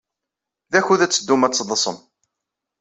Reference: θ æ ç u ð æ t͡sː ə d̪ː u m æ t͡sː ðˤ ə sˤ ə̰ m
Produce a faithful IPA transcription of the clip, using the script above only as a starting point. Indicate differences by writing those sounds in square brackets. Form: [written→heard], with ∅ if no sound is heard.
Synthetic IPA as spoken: [θ→ð] æ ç u ð æ t͡sː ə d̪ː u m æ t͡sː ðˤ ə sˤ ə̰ m